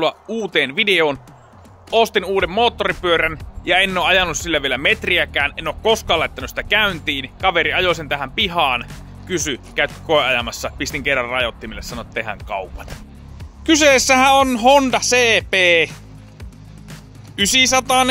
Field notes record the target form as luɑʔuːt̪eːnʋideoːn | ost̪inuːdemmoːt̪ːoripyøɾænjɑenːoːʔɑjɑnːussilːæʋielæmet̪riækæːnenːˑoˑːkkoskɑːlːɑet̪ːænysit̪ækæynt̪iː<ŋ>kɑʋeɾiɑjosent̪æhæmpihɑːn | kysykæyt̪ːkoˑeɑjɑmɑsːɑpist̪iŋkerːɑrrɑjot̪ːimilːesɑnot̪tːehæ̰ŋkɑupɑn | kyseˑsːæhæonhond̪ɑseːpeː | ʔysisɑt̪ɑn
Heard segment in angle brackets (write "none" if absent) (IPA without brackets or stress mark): n